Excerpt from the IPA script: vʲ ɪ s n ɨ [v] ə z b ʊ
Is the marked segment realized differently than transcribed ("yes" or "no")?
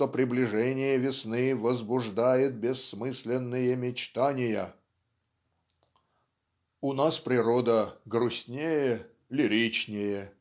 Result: no